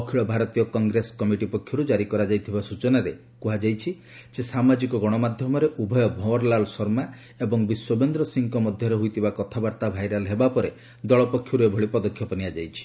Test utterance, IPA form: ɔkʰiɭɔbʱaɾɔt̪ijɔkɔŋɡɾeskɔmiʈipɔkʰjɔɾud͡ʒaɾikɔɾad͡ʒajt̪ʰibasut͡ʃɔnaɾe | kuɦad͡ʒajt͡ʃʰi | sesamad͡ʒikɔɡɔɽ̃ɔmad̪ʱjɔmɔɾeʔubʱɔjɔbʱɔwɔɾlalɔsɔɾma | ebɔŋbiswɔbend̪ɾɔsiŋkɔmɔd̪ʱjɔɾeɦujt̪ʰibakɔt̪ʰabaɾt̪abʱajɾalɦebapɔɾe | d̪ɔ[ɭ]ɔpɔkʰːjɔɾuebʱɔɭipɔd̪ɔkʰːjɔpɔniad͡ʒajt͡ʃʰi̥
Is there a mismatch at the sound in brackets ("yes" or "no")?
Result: no